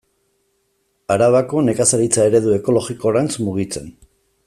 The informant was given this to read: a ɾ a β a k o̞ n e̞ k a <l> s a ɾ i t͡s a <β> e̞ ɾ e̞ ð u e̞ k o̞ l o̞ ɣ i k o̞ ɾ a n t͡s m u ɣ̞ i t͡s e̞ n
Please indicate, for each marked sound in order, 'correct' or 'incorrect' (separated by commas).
incorrect, incorrect